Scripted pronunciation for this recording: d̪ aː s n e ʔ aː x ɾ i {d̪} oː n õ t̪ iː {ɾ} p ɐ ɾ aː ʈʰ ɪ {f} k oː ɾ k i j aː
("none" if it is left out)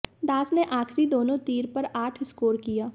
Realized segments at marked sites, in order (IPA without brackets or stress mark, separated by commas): d̪, ɾ, s